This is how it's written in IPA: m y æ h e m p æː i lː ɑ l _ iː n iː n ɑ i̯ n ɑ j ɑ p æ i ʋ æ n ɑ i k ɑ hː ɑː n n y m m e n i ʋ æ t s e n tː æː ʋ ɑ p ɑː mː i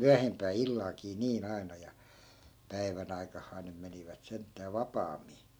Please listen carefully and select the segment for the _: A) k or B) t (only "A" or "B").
A